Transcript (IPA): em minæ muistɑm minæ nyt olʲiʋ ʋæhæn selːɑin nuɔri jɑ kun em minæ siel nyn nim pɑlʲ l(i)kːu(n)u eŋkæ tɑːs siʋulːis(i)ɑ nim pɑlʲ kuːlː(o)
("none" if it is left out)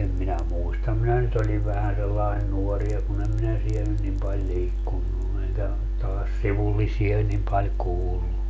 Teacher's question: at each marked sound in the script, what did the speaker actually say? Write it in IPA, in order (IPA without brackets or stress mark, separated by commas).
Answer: iː, nː, i, u